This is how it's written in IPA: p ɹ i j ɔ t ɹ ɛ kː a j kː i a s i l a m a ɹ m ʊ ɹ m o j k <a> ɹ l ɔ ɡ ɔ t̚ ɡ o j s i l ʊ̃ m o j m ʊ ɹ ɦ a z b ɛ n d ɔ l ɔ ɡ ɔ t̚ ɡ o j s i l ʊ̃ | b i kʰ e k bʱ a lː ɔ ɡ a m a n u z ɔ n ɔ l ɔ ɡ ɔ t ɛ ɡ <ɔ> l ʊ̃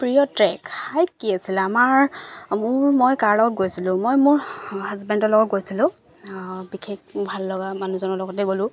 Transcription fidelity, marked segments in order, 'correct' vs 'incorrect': correct, incorrect

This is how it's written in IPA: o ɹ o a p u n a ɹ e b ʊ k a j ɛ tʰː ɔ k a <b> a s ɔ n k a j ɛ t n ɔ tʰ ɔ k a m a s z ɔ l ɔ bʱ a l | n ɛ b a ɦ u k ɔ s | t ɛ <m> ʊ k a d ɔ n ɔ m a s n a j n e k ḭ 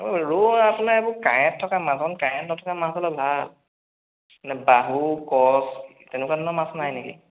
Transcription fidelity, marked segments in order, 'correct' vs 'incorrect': incorrect, incorrect

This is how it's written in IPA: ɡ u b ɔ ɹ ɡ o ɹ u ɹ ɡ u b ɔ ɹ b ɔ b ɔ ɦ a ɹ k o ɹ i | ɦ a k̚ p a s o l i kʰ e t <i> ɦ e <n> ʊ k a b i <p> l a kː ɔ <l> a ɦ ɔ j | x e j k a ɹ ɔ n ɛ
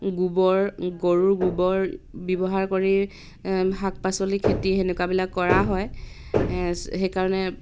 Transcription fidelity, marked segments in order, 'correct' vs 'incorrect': correct, correct, incorrect, incorrect

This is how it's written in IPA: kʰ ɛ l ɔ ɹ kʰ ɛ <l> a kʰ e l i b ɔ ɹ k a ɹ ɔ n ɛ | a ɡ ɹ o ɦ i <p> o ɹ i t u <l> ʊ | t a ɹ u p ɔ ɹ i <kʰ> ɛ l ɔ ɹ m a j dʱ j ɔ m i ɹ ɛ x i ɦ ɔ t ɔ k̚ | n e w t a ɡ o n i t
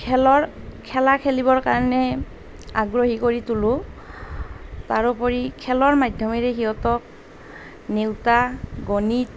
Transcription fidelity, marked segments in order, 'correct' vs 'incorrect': correct, incorrect, correct, correct

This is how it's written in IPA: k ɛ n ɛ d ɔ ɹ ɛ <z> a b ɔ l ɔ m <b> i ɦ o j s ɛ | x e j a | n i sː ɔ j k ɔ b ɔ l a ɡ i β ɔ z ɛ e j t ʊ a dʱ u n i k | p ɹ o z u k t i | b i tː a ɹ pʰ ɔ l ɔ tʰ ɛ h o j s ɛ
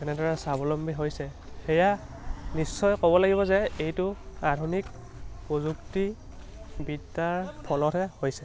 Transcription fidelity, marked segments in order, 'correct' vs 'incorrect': incorrect, correct

